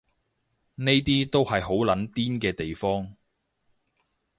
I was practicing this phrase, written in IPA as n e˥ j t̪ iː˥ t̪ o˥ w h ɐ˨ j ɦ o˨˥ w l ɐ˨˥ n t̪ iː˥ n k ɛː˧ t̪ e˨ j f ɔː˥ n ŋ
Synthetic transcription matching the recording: n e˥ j t̪ iː˥ t̪ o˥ w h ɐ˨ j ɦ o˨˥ w l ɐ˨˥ n t̪ iː˥ n k ɛː˧ t̪ e˨ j f ɔː˥ ŋ